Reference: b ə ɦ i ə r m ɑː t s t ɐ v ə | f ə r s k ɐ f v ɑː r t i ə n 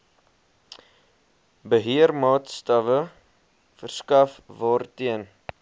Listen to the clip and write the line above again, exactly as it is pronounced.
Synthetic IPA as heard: b ə ɦ i ə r m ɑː t s t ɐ v ə | f ə r s k ɐ f v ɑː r t i ə n